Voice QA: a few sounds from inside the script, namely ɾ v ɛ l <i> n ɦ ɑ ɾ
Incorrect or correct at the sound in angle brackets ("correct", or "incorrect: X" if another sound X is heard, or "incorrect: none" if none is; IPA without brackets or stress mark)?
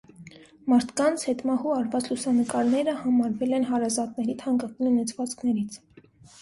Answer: incorrect: ɛ